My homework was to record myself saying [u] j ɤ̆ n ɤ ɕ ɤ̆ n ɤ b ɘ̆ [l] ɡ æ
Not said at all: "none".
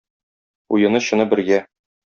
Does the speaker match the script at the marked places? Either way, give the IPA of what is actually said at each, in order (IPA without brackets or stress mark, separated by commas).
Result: u, ɾ